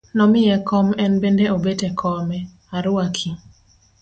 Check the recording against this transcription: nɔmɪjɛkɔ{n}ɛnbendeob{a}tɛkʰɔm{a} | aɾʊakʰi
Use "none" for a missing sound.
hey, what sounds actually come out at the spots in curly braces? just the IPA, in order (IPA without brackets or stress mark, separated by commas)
m, e, ɛ